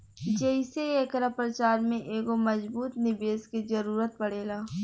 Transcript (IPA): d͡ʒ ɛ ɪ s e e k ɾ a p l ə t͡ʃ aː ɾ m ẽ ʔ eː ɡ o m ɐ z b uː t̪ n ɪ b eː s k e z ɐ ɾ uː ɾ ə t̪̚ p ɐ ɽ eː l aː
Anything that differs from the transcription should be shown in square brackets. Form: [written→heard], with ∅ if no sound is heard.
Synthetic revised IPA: d͡ʒ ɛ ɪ s e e k ɾ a p [l→ɾ] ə t͡ʃ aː ɾ m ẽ ʔ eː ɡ o m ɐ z b uː t̪ n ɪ b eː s k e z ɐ ɾ uː ɾ ə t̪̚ p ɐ ɽ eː l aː